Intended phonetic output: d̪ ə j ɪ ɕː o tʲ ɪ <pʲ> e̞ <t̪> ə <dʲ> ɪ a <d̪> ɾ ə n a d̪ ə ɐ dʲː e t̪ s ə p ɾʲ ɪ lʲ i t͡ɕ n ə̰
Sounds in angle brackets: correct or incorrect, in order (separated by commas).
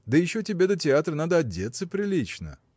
incorrect, incorrect, incorrect, incorrect